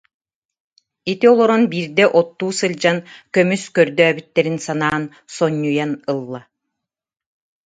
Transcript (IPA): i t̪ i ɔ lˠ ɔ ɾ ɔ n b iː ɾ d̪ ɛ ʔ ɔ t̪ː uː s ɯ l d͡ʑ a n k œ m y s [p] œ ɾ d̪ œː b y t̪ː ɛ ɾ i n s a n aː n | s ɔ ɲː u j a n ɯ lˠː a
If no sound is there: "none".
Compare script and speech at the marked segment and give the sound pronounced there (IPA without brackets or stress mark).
k